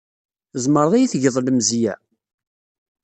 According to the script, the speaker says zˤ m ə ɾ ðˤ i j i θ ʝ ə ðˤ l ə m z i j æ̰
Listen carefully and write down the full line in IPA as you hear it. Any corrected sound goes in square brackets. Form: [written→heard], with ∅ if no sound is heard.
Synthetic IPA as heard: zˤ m ə ɾ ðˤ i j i θ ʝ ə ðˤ l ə m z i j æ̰